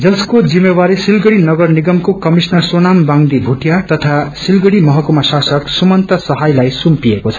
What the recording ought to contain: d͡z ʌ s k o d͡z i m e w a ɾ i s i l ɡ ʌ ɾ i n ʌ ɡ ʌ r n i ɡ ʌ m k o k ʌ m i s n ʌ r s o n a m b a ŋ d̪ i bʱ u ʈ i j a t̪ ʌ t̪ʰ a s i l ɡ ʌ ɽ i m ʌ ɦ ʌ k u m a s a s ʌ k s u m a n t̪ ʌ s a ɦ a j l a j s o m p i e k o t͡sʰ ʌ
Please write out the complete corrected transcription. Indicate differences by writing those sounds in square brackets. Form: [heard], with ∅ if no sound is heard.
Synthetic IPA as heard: d͡z ʌ s k o d͡z i m e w a ɾ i s i l ɡ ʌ [ɽ] i n ʌ ɡ ʌ r n i ɡ ʌ m k o k ʌ m i s n ʌ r s o n a m b a ŋ d̪ i bʱ u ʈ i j a t̪ ʌ t̪ʰ a s i l ɡ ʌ ɽ i m ʌ ɦ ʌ k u m a s a s ʌ k s u m [ʌ] n t̪ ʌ s [ʌ] ɦ a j l a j s [u] m p i e k o t͡sʰ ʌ